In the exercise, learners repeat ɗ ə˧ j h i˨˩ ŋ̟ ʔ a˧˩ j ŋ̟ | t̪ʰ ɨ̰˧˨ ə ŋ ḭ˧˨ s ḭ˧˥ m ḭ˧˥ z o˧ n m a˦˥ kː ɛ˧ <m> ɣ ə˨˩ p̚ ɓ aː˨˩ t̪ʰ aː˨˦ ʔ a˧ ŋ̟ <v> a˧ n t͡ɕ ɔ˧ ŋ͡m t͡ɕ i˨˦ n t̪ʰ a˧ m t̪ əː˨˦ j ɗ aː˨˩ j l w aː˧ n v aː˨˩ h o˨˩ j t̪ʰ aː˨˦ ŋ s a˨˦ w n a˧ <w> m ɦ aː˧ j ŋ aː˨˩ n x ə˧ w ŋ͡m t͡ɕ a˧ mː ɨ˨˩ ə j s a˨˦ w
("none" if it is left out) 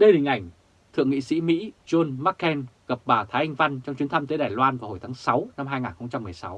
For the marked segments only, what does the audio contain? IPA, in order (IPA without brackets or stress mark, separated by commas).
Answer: n, v, none